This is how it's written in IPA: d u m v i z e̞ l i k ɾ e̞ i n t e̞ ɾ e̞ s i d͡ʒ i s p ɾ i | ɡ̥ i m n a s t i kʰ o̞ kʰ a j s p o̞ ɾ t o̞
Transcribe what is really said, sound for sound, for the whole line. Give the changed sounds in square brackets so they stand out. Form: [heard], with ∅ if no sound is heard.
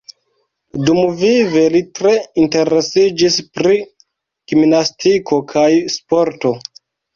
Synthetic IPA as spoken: d u m v i [v] e̞ l i [t] ɾ e̞ i n t e̞ ɾ e̞ s i d͡ʒ i s p ɾ i | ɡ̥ i m n a s t i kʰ o̞ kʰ a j s p o̞ ɾ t o̞